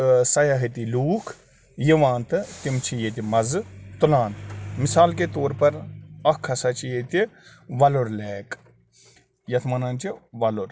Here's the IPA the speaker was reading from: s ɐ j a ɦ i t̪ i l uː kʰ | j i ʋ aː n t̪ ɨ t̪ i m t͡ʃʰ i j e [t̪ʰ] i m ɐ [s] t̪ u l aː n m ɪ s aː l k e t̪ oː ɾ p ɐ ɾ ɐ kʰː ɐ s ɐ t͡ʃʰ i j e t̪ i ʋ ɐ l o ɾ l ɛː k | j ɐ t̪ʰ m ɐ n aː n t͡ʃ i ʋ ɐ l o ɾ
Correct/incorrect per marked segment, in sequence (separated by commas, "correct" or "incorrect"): incorrect, incorrect